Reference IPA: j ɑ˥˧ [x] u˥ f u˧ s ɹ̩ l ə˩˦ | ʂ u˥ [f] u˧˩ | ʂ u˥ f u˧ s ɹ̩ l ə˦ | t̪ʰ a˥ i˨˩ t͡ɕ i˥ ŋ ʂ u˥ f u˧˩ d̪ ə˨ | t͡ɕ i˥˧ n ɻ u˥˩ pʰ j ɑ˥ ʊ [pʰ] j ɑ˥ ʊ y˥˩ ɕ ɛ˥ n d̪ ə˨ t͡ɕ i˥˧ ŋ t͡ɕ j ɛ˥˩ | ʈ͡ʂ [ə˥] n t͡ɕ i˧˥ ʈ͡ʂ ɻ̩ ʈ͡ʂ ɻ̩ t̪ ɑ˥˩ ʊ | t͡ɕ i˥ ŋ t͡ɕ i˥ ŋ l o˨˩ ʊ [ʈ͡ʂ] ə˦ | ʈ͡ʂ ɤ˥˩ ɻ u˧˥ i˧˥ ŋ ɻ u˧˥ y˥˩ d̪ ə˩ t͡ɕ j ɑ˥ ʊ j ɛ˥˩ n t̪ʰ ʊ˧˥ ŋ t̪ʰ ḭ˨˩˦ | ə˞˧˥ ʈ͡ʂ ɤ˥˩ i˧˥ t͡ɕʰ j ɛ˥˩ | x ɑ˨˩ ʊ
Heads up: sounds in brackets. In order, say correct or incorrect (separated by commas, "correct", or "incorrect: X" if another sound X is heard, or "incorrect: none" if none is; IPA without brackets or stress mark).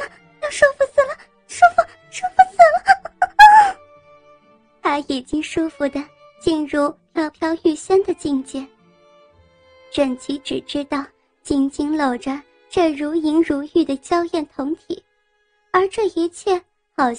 incorrect: ʂ, correct, correct, incorrect: ə˨˩, correct